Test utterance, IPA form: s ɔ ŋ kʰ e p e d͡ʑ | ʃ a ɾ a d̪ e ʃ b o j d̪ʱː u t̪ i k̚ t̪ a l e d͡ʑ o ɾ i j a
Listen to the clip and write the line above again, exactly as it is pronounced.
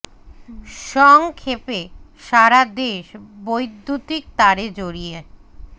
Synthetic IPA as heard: ʃ ɔ ŋ kʰ e p e | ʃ a ɾ a d̪ e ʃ b o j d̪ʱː u t̪ i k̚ t̪ a ɾ e d͡ʑ o ɾ i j e